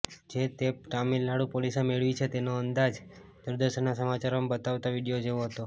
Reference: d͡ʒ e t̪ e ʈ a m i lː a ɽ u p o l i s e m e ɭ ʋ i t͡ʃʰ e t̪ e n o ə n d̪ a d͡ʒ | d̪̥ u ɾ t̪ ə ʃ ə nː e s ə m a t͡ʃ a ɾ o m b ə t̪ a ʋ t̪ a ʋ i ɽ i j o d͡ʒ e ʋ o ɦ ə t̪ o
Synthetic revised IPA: d͡ʒ e t̪ e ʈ a m i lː a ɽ u p o l i s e m e ɭ ʋ i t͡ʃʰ e t̪ e n o ə n d̪ a d͡ʒ | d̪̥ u ɾ d̪ ə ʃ ə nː a s ə m a t͡ʃ a ɾ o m b ə t̪ a ʋ t̪ a ʋ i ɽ i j o d͡ʒ e ʋ o ɦ ə t̪ o